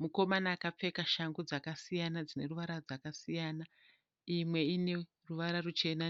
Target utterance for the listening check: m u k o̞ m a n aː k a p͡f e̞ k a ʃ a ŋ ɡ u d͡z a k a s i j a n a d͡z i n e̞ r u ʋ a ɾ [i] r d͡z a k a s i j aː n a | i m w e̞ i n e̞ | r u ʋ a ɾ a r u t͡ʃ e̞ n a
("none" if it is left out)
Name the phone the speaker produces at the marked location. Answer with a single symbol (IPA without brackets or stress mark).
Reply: a